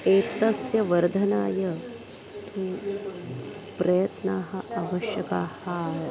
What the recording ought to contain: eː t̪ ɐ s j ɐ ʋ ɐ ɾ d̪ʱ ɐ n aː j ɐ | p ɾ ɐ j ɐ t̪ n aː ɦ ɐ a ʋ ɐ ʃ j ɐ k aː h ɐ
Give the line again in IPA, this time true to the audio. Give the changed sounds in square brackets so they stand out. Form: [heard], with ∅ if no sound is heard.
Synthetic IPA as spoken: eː t̪ ɐ s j ɐ ʋ ɐ ɾ d̪ʱ ɐ n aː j ɐ | p ɾ ɐ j ɐ t̪ n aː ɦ ɐ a ʋ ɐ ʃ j ɐ k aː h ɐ